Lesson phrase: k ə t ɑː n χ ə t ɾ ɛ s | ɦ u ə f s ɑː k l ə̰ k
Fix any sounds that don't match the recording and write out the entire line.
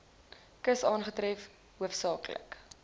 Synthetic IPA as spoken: k ə s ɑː n χ ə t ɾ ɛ f | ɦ u ə f s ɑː k l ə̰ k